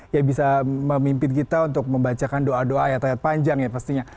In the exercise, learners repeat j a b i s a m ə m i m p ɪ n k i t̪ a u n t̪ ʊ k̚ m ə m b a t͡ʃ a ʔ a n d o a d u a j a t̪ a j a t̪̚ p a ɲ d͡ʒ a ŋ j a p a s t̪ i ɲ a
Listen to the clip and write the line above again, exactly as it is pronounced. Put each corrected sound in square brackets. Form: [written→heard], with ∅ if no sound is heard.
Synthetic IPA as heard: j a b i s a m ə m i m p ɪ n k i t̪ a u n t̪ ʊ k̚ m ə m b a t͡ʃ a [ʔ→k] a n d o a d [u→o] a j a t̪ a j a t̪̚ p a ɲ d͡ʒ a ŋ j a p a s t̪ i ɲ a